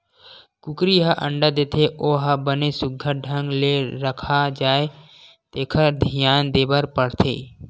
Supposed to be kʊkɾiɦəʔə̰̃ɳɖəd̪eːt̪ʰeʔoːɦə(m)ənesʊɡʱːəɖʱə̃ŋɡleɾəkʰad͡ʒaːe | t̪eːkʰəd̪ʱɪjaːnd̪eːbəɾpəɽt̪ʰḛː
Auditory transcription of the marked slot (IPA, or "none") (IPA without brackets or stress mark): b